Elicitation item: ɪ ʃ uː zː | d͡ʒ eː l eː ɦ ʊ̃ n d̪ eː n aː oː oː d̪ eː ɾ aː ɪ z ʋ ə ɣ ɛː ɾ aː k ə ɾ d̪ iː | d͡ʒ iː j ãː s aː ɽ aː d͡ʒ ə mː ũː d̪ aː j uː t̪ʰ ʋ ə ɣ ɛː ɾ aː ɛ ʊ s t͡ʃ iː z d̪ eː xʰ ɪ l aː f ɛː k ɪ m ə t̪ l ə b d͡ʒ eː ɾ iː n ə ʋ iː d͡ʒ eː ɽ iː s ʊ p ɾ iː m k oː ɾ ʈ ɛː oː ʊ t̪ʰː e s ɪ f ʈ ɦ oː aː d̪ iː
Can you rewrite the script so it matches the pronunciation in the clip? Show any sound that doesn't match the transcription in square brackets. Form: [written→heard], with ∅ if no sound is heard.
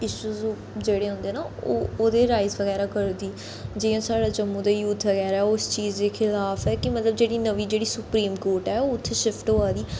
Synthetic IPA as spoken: ɪ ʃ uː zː | d͡ʒ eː [l→ɽ] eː ɦ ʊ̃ n d̪ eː n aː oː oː d̪ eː ɾ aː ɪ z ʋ ə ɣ ɛː ɾ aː k ə ɾ d̪ iː | d͡ʒ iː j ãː s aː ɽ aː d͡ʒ ə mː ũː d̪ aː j uː t̪ʰ ʋ ə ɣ ɛː ɾ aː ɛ ʊ s t͡ʃ iː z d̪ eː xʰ ɪ l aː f ɛː k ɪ m ə t̪ l ə b d͡ʒ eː [ɾ→ɽ] iː n ə ʋ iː d͡ʒ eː ɽ iː s ʊ p ɾ iː m k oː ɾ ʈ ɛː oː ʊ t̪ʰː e [s→ʃ] ɪ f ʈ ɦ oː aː d̪ iː